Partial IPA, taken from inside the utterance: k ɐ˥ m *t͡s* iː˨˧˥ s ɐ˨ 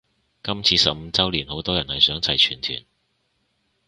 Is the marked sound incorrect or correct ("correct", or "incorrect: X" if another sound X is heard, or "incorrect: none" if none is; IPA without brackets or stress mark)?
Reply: incorrect: t͡sʰ